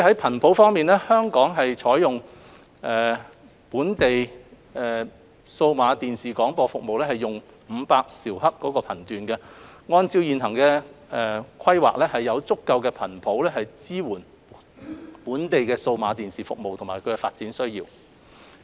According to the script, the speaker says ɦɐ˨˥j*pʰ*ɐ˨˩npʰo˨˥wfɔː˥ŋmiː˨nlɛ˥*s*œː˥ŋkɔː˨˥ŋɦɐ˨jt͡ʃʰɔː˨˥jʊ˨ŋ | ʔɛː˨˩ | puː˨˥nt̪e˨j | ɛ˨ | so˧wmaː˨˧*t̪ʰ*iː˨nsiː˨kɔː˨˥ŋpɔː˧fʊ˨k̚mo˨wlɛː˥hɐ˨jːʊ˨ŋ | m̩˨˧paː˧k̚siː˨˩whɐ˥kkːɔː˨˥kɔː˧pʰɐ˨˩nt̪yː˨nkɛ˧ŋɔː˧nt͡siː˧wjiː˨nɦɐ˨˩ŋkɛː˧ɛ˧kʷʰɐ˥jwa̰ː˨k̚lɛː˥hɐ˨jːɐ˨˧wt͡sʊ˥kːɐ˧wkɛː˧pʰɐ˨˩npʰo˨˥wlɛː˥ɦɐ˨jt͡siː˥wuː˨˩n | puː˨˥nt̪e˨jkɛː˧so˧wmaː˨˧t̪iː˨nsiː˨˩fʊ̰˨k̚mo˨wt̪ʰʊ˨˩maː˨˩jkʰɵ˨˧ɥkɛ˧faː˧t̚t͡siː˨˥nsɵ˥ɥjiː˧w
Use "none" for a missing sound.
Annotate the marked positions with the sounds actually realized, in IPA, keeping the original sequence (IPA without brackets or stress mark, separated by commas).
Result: pʰ, h, t̪